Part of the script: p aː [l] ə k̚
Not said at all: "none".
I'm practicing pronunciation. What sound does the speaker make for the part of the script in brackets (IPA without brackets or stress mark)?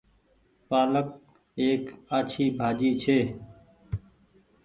l